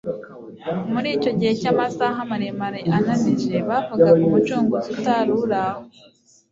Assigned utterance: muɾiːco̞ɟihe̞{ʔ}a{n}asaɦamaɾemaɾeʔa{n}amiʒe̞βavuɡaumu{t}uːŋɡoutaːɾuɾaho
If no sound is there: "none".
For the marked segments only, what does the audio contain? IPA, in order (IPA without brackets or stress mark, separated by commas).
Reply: c, m, n, t͡ʃ